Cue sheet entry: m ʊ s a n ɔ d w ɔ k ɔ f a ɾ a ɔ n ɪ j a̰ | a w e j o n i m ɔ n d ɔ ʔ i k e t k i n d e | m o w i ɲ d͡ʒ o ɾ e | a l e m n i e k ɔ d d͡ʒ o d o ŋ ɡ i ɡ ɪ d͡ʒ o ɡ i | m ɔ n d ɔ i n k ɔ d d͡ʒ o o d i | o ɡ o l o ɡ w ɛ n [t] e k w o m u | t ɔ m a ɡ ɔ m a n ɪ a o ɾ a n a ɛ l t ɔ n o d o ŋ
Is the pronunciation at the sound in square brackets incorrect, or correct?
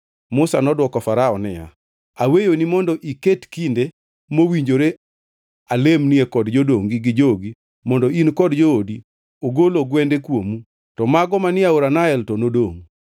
incorrect